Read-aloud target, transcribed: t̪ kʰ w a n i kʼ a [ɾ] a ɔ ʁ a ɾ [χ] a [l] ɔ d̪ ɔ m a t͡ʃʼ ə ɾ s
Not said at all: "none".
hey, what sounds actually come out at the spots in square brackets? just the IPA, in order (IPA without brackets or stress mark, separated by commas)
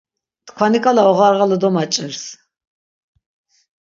l, ʁ, l